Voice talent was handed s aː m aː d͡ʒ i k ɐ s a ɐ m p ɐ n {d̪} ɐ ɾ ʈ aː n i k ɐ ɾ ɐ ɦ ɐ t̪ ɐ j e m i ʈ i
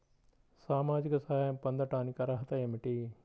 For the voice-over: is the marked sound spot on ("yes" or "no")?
yes